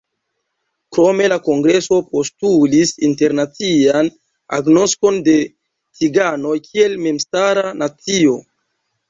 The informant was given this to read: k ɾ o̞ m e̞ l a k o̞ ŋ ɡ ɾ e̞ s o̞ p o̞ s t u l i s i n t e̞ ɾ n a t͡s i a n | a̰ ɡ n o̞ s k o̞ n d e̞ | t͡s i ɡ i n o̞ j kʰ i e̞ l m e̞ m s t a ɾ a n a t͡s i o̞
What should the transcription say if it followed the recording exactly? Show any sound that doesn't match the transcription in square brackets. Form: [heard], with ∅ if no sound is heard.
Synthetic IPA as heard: k ɾ o̞ m e̞ l a k o̞ ŋ ɡ ɾ e̞ s o̞ p o̞ s t u l i s i n t e̞ ɾ n a t͡s i a n | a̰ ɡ n o̞ s k o̞ n d e̞ | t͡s i ɡ [a] n o̞ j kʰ i e̞ l m e̞ m s t a ɾ a n a t͡s i o̞